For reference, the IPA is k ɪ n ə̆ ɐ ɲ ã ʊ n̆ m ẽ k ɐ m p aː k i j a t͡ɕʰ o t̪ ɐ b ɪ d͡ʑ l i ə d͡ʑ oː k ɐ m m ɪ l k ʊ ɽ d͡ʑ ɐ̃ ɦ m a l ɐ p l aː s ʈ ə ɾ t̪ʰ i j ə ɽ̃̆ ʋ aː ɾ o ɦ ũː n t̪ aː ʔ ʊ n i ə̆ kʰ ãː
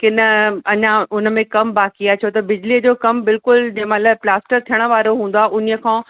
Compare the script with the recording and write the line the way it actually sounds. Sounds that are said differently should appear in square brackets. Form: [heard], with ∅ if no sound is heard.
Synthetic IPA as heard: k ɪ n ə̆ ɐ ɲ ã ʊ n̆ m ẽ k ɐ m [b] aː k i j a t͡ɕʰ o t̪ ɐ b ɪ d͡ʑ l i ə d͡ʑ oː k ɐ m [b] ɪ l k ʊ [l] d͡ʑ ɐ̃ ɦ m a l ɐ p l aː s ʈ ə ɾ t̪ʰ i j ə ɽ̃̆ ʋ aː ɾ o ɦ ũː n [d̪] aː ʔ ʊ n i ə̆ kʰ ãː